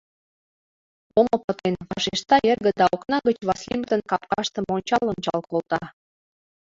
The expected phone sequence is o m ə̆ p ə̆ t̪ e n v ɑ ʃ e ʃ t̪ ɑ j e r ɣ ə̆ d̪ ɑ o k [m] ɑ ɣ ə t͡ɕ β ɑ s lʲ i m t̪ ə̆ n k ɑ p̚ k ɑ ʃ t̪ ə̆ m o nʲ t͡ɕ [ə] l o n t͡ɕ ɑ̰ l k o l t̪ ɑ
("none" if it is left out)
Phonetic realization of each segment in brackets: n, ɑ

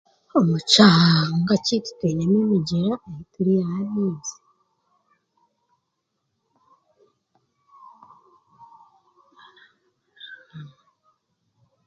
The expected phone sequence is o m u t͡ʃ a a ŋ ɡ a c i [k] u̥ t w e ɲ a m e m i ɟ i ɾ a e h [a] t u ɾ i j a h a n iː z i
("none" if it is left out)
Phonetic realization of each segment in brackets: t, i

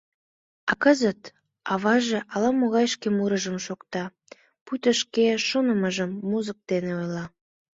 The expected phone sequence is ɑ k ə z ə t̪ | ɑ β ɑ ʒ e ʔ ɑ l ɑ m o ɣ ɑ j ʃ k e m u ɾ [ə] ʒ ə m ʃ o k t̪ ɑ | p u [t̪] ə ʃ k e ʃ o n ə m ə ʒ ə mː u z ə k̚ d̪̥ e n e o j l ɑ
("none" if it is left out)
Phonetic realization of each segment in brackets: ə, t̪

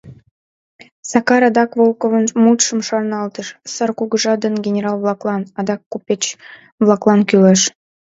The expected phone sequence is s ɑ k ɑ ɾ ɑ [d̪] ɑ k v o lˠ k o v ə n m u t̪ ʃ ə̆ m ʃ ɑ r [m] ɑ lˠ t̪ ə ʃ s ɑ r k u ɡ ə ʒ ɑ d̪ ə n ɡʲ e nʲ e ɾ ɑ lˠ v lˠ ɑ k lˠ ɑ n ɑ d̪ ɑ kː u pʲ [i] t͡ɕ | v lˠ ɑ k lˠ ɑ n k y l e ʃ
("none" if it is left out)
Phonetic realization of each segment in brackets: d̪, n, e

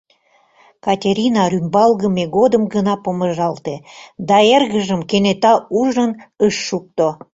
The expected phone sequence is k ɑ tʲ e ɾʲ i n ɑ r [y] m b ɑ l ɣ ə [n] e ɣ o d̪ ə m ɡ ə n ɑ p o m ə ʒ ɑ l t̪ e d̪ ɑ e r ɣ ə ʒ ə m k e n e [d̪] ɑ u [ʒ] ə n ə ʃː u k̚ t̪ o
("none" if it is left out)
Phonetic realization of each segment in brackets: y, m, t̪, ʒ

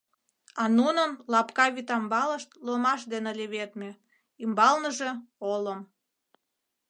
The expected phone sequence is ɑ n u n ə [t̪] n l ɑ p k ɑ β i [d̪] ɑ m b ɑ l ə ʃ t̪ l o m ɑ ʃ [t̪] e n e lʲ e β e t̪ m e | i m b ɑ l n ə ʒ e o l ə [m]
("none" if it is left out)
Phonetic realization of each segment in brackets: none, t̪, d̪, m

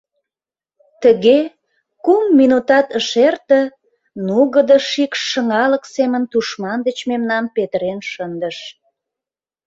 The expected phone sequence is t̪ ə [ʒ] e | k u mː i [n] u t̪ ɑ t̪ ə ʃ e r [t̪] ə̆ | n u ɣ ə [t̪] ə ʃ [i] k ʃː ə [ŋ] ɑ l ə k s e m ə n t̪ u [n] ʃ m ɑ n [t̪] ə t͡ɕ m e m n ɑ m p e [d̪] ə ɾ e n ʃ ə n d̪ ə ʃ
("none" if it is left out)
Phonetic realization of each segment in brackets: ɣ, n, t̪, d̪, i, ŋ, none, d̪, t̪

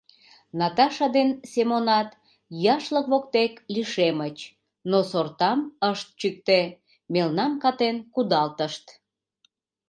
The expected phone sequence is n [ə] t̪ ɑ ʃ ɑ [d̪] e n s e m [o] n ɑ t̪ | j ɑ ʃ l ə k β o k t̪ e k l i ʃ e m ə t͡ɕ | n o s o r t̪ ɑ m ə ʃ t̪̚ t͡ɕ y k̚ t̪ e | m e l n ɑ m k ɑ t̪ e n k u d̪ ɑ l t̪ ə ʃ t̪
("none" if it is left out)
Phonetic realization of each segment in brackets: ɑ, d̪, o

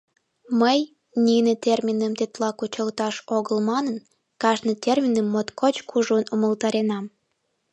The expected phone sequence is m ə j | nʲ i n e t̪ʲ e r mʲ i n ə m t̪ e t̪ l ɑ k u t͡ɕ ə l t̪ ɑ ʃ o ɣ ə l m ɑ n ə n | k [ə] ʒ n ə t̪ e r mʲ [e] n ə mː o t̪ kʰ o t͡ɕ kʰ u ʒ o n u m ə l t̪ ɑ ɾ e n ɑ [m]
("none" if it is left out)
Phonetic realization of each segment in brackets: ɑ, i, m

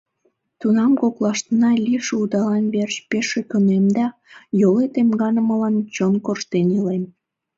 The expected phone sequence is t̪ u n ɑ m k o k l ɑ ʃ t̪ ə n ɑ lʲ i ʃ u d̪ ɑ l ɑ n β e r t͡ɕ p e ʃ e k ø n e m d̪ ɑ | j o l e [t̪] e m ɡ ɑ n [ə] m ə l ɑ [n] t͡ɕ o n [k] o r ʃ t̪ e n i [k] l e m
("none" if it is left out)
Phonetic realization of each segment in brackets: t̪, ə, n, k, none

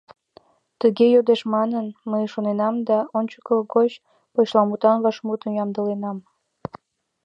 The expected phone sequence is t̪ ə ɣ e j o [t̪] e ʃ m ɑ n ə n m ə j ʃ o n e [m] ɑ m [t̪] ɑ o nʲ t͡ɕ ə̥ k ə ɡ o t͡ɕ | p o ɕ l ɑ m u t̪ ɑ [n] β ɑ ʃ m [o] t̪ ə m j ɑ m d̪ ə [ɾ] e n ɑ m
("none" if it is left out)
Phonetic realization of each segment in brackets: d̪, n, d̪, n, u, l

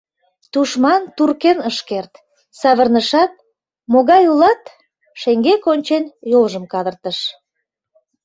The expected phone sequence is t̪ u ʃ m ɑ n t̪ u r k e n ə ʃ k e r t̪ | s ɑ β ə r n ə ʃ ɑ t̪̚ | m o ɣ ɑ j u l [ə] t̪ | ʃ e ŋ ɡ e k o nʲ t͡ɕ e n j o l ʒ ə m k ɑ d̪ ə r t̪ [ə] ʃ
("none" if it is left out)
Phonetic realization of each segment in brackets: ɑ, ə

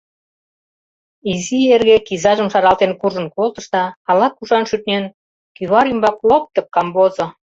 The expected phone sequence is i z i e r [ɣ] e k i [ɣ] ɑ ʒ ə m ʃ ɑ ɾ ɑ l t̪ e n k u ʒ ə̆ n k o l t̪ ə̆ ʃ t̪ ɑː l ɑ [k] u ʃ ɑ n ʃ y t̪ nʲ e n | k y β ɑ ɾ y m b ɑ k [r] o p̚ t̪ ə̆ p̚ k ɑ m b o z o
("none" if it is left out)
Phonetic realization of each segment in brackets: ɣ, z, k, l

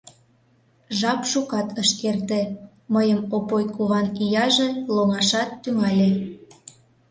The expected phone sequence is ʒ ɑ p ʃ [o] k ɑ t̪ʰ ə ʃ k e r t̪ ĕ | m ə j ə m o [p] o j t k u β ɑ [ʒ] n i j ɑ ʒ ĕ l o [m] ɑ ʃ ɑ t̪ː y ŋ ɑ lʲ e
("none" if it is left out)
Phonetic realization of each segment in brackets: u, p, none, ŋ

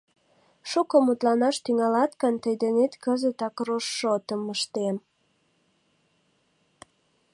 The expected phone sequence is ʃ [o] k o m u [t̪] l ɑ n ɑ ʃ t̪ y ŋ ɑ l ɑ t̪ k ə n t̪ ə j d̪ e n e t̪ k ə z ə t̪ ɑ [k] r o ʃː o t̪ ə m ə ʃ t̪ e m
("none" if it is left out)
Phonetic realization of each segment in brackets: u, t̪, k

